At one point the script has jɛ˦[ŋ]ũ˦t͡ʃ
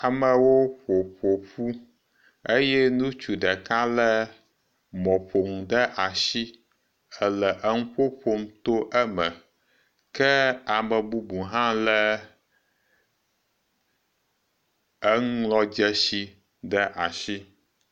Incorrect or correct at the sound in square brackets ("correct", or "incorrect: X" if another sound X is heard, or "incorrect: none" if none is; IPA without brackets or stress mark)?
incorrect: n